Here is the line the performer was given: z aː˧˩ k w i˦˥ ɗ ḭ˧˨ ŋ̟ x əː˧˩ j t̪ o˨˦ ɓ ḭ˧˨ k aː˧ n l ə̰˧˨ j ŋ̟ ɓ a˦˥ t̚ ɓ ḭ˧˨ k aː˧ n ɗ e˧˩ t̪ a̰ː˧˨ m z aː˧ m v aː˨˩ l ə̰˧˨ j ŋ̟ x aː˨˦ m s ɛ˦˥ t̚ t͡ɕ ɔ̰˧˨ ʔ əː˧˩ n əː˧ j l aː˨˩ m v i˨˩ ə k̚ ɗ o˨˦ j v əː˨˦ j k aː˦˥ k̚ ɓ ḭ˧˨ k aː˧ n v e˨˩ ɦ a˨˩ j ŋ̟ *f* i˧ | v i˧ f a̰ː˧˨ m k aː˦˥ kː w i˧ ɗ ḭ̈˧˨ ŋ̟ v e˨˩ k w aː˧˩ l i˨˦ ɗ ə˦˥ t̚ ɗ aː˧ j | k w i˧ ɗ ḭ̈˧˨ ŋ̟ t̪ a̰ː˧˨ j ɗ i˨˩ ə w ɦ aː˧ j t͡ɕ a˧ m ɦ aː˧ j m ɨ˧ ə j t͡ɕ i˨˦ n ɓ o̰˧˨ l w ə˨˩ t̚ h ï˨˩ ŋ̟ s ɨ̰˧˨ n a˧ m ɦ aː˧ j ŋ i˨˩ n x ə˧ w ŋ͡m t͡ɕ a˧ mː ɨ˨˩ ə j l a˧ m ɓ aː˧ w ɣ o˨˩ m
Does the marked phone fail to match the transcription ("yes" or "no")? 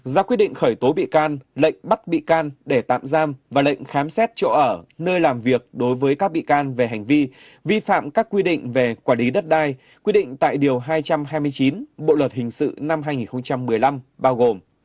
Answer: yes